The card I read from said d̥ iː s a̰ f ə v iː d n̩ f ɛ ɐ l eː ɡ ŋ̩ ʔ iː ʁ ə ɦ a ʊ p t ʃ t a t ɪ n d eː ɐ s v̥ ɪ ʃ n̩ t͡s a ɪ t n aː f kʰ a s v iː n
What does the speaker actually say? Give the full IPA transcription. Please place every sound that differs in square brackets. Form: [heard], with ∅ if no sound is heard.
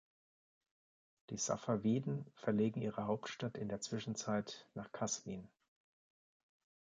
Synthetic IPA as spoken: d̥ iː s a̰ f [a] v iː d n̩ f ɛ ɐ l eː ɡ ŋ̩ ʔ iː ʁ ə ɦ a ʊ p t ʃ t a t ɪ n d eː ɐ [t͡s] v̥ ɪ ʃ n̩ t͡s a ɪ t n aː [χ] kʰ a s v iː n